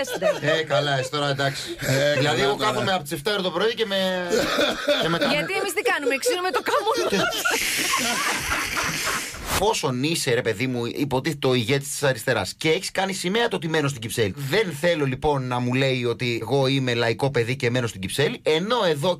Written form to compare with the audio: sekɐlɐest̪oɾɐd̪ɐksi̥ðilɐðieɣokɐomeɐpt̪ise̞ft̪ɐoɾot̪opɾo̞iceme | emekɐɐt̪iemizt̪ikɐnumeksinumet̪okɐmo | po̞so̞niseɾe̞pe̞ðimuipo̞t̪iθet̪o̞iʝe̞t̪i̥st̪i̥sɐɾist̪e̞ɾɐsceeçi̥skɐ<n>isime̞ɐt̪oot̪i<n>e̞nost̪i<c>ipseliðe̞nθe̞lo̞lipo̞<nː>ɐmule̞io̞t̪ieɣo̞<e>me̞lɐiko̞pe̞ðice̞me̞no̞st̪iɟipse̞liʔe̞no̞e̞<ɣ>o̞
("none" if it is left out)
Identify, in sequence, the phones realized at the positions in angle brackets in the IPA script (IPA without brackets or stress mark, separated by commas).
n, m, ɟ, nː, i, ð